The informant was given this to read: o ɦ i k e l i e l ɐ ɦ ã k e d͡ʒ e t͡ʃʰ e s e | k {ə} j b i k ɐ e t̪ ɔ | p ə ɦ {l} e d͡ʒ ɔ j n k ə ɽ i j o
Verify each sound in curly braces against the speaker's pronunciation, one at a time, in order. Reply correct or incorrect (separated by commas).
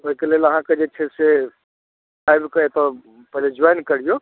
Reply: incorrect, correct